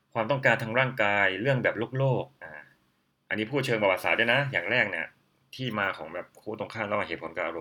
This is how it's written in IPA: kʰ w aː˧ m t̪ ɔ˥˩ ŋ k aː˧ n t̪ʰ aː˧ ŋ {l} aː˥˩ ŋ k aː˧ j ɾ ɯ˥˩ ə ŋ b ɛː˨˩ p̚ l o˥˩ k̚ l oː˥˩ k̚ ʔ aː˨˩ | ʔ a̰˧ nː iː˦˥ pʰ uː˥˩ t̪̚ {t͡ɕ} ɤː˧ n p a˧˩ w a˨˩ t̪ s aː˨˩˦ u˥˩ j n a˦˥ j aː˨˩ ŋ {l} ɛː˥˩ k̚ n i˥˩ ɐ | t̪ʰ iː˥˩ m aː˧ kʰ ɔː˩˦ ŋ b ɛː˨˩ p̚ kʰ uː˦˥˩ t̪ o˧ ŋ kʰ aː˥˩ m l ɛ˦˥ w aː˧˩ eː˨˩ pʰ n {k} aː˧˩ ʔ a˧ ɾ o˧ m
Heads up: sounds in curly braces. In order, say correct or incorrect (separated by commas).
incorrect, incorrect, incorrect, correct